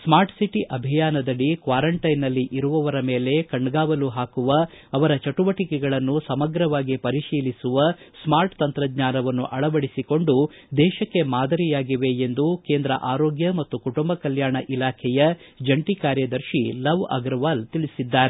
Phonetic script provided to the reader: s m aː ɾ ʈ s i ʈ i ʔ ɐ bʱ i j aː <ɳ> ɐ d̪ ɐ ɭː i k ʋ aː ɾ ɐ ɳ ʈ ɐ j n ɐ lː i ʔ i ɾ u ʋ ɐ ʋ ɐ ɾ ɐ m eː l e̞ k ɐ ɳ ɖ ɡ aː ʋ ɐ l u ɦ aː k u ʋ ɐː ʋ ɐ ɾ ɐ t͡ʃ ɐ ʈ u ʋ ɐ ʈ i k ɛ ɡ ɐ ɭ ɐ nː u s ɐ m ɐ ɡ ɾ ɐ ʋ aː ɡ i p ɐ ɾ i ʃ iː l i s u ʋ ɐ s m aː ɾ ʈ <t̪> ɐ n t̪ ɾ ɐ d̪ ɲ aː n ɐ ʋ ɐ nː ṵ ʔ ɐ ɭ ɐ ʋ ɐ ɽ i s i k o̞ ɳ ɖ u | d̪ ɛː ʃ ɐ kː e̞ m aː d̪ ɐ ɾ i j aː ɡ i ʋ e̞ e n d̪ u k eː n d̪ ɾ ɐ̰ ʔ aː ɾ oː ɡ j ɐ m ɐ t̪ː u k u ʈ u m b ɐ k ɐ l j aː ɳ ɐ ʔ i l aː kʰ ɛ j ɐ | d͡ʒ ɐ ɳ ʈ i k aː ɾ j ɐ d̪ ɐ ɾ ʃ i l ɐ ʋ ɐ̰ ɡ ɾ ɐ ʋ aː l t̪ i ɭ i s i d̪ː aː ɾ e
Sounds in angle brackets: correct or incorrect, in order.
incorrect, correct

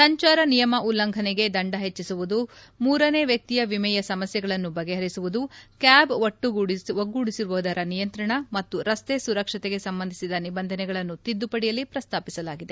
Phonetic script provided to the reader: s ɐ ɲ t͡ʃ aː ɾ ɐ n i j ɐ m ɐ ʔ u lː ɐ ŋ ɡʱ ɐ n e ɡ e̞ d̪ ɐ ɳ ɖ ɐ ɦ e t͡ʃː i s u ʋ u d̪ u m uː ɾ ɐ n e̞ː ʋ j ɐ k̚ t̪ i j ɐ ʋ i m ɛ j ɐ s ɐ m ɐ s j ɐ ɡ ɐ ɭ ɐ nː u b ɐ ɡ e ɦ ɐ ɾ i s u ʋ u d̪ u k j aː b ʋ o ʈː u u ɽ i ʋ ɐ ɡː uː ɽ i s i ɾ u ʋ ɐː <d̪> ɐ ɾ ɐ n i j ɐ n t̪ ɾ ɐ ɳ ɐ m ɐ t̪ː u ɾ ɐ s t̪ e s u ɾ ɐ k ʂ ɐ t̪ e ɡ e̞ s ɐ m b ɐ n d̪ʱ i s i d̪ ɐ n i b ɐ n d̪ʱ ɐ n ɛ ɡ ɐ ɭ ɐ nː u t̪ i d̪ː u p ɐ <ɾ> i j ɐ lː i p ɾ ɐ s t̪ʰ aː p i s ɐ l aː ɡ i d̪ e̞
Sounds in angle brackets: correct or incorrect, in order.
correct, incorrect

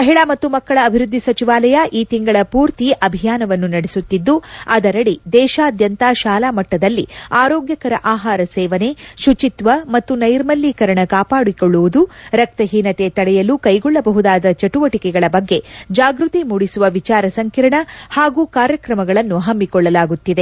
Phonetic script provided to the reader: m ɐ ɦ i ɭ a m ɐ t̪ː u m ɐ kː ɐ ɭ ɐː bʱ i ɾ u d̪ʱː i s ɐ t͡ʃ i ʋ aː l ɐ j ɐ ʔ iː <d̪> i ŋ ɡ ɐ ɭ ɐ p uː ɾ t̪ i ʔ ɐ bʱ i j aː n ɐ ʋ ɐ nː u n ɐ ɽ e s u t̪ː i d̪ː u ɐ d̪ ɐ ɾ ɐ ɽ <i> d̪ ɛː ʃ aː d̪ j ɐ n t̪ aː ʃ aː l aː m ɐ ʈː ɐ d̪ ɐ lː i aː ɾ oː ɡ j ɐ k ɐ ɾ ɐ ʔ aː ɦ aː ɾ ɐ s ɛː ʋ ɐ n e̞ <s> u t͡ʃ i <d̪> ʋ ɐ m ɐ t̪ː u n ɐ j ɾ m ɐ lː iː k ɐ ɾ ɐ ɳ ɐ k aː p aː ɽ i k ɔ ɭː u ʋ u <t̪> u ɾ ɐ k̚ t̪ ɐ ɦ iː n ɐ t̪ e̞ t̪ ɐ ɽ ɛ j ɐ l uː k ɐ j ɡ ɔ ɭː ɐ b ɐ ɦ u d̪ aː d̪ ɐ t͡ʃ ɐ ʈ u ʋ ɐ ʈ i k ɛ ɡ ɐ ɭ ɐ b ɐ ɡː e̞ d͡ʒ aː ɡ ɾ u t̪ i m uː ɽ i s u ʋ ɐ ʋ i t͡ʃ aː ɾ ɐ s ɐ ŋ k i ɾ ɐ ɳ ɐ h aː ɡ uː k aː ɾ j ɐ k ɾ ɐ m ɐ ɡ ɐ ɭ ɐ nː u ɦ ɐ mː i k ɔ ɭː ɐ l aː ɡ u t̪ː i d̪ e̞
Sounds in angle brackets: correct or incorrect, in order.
incorrect, correct, incorrect, incorrect, incorrect

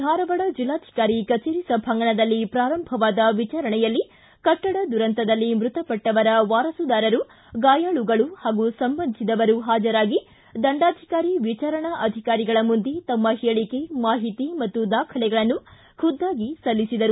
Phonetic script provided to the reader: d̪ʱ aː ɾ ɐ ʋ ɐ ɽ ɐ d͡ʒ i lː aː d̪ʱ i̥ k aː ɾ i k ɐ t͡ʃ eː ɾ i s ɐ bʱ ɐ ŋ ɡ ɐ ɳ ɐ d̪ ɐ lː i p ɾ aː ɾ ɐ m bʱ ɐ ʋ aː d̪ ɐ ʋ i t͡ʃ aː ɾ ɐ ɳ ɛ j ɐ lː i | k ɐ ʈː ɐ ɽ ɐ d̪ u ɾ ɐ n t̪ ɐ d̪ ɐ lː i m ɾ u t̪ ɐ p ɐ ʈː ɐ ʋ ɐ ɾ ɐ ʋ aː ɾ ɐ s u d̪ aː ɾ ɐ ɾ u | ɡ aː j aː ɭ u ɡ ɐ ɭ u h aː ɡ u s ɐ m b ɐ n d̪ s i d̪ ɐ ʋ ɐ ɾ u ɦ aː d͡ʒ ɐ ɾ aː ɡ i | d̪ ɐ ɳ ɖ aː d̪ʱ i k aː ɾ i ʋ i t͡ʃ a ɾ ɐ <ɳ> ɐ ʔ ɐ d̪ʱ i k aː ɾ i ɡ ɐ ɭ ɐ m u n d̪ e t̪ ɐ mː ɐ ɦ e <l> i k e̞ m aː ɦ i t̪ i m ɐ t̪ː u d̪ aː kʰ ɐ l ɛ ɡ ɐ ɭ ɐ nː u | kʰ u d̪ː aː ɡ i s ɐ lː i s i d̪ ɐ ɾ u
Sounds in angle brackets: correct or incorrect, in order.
correct, incorrect

